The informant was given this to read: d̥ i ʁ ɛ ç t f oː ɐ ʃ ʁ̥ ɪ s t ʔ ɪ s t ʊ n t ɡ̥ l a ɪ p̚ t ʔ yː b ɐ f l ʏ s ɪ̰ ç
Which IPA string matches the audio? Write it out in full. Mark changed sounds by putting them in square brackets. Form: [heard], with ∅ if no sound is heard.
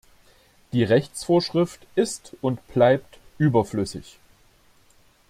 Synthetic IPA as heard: d̥ [iː] ʁ ɛ ç [t͡s] f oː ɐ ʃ ʁ̥ ɪ [f] t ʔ ɪ s t ʊ n t [b̥] l a ɪ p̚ t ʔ yː b ɐ f l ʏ s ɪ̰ ç